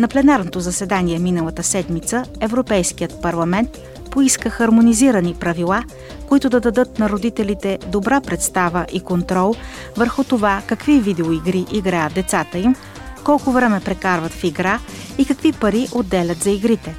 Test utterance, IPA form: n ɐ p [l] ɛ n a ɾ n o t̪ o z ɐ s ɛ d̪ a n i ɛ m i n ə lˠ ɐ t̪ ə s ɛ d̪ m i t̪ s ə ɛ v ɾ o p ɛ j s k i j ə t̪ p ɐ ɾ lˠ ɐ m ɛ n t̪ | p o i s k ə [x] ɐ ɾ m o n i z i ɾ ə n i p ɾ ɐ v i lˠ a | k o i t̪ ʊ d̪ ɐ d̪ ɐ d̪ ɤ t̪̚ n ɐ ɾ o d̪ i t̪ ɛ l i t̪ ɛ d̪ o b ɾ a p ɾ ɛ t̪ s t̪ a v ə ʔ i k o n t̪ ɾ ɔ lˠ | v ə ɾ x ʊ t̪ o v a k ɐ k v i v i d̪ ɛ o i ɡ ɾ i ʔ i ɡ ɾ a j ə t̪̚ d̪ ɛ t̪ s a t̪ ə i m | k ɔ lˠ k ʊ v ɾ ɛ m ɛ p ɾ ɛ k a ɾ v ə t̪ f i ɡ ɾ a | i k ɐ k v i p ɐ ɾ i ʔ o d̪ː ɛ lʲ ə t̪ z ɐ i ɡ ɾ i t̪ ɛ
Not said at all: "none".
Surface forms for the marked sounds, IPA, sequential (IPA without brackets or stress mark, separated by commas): l, x